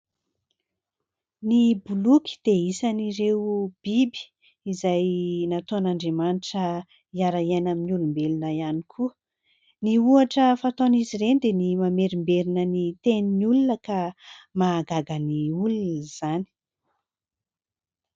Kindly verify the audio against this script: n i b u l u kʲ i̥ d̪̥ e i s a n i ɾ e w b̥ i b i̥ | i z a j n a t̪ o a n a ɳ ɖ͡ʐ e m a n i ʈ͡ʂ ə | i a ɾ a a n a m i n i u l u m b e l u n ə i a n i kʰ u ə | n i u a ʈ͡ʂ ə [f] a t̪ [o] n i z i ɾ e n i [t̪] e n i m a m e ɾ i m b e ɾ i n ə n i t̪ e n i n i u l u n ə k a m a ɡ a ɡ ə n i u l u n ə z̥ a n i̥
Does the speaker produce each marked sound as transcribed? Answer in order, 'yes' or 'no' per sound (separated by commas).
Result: yes, yes, no